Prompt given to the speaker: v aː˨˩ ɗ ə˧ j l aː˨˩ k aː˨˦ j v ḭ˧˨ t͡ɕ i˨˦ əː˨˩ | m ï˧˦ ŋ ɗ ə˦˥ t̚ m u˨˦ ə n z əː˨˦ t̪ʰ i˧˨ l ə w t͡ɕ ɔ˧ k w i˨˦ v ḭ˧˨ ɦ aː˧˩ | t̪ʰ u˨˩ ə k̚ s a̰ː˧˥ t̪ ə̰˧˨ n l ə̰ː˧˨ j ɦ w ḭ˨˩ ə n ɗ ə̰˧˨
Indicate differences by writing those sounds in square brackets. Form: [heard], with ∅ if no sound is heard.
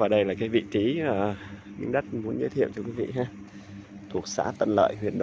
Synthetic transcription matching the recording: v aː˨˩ ɗ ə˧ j l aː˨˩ k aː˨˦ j v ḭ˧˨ t͡ɕ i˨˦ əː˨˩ | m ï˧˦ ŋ ɗ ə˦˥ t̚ m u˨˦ ə n z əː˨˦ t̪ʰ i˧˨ [∅] ə w t͡ɕ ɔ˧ k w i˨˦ v ḭ˧˨ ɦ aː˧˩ | t̪ʰ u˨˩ ə k̚ s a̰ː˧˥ t̪ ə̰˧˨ n l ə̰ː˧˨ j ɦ w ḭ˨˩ ə n ɗ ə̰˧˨